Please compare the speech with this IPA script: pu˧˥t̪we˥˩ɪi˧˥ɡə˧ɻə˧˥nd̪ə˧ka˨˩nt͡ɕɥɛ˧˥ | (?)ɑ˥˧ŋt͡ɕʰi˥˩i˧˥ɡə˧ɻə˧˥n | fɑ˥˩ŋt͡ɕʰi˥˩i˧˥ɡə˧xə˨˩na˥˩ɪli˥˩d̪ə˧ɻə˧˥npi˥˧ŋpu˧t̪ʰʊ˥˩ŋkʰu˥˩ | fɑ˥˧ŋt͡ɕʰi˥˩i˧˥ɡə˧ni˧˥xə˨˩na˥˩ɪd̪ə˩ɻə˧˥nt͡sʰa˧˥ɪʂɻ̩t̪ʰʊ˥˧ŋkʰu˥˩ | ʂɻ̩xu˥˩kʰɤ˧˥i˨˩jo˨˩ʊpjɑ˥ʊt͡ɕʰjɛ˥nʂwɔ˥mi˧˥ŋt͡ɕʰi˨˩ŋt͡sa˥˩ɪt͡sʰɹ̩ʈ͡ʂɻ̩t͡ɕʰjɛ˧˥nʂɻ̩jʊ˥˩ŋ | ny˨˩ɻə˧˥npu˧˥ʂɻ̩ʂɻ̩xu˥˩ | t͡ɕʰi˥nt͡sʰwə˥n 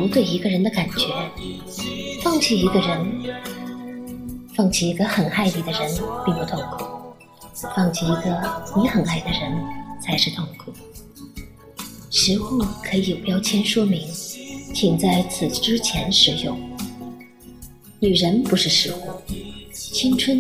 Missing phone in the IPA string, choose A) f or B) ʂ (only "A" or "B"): A